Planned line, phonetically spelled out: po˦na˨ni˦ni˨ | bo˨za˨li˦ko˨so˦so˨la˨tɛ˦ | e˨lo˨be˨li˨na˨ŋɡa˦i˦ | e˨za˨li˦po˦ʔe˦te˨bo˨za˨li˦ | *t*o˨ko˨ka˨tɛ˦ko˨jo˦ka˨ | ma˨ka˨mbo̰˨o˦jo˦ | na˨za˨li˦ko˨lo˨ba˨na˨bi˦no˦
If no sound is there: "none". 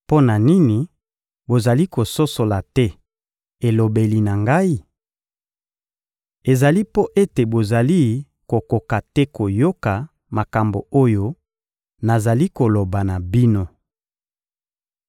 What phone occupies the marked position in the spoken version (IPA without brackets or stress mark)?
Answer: k